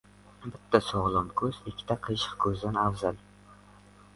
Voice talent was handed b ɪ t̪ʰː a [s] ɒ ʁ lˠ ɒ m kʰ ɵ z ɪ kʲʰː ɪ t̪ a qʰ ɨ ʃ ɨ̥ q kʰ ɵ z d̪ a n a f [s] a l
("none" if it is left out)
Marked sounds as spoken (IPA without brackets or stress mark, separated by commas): s, z